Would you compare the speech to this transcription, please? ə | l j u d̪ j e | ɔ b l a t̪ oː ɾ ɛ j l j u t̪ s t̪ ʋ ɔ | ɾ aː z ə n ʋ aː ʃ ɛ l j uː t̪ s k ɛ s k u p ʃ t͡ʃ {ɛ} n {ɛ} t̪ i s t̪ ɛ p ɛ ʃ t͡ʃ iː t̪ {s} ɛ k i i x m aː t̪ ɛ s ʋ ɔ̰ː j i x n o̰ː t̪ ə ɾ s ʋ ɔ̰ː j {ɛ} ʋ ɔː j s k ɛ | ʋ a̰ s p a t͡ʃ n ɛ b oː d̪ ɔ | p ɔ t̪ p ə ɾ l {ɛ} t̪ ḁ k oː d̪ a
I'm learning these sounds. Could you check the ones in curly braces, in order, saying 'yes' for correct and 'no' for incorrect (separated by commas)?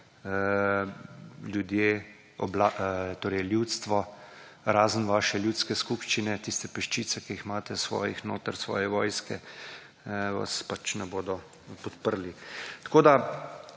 no, yes, yes, yes, no